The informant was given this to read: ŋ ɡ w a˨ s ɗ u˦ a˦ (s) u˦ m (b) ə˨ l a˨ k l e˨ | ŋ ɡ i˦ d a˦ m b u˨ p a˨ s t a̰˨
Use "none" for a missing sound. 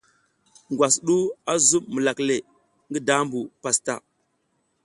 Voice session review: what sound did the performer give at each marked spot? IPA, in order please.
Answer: z, m

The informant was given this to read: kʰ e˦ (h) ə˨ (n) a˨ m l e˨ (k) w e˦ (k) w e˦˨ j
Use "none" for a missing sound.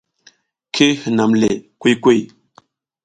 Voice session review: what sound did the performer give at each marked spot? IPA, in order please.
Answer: h, n, k, k

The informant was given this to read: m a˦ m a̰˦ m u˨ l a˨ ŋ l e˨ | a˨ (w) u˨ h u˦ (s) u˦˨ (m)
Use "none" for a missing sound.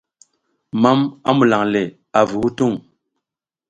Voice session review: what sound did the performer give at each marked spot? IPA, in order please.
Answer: v, t, ŋ

